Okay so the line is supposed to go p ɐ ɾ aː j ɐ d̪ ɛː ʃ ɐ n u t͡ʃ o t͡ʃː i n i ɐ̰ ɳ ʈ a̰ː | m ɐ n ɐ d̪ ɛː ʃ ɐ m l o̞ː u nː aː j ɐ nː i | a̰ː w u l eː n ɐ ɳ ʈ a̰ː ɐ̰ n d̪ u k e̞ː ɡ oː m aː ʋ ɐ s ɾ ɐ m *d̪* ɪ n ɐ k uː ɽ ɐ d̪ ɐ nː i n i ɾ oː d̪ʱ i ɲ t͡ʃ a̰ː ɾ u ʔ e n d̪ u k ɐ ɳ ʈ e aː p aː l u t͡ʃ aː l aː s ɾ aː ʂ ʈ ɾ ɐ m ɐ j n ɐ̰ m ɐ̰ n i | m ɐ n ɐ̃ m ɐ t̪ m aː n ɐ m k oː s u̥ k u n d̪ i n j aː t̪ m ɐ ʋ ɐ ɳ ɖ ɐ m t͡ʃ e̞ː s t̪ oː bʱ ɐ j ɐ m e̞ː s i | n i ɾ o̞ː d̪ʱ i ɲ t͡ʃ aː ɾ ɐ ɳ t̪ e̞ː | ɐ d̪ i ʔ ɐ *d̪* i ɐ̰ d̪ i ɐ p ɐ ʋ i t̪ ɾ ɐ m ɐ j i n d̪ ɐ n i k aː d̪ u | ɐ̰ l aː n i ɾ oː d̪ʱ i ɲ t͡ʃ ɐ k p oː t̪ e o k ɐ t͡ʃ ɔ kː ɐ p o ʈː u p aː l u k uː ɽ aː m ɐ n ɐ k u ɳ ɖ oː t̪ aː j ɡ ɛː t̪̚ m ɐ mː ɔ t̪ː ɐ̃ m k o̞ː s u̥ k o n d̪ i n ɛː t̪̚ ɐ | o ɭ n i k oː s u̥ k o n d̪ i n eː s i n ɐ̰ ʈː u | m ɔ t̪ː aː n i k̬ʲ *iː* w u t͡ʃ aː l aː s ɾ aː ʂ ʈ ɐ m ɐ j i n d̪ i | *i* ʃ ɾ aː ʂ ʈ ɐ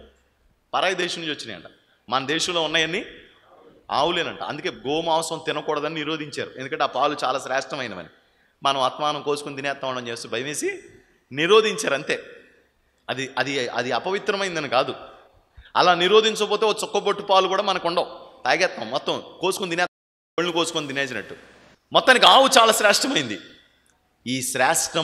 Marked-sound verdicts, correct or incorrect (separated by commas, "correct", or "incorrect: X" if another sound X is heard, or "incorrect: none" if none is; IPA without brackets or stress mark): incorrect: t̪, correct, incorrect: aː, incorrect: iː